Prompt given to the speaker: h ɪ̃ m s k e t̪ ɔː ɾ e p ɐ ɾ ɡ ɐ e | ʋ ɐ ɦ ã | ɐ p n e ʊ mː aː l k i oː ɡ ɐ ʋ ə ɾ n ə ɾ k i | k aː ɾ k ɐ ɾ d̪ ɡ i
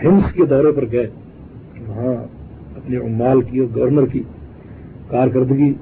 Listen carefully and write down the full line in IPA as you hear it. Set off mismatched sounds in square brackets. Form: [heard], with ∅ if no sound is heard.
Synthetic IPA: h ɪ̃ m s k e [d̪] ɔː ɾ e p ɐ ɾ ɡ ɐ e | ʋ ɐ ɦ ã | ɐ p n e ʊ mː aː l k i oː ɡ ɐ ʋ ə ɾ n ə ɾ k i | k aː ɾ k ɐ ɾ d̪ ɡ i